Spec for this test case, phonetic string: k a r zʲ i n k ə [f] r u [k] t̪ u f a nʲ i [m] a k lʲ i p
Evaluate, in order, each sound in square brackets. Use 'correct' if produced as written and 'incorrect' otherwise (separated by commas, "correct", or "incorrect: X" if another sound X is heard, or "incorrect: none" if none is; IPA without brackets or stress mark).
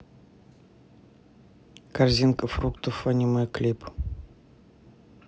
correct, correct, correct